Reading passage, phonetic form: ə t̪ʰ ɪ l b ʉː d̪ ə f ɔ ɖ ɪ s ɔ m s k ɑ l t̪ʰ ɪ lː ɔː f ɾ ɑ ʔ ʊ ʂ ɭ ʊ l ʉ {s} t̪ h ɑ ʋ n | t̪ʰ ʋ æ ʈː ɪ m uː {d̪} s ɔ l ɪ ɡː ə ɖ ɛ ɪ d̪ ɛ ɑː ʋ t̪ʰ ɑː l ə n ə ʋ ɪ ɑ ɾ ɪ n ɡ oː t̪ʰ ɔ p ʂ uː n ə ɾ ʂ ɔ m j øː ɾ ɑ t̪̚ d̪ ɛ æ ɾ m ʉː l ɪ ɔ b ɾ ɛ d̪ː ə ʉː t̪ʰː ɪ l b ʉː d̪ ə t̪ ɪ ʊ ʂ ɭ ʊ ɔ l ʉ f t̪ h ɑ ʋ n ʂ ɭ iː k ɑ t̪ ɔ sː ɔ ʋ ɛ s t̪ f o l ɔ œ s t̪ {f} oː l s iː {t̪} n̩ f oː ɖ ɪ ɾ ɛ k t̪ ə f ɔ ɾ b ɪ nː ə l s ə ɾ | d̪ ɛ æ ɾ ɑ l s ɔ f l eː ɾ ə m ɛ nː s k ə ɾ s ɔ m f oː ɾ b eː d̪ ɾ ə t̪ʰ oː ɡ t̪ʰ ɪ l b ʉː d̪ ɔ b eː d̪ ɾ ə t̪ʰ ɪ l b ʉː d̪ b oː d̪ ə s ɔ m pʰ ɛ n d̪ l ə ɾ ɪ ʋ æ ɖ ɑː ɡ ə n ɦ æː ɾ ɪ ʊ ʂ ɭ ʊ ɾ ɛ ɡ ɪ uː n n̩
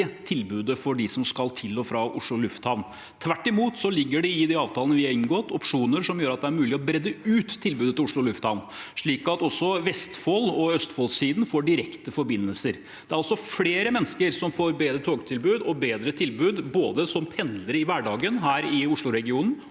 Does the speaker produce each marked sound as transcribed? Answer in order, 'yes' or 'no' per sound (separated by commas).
no, no, yes, no